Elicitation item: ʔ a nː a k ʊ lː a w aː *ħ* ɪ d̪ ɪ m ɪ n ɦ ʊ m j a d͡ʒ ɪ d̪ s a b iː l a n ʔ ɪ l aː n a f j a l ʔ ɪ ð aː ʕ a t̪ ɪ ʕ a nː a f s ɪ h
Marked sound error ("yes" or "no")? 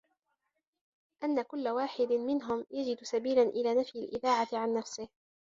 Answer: no